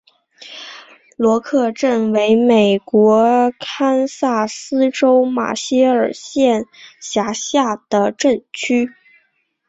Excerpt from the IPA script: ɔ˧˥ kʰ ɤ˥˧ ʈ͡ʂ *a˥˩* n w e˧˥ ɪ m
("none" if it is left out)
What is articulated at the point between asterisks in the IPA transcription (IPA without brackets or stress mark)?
ə˥˩